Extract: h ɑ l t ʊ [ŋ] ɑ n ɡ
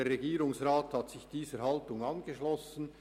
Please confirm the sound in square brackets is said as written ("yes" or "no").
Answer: yes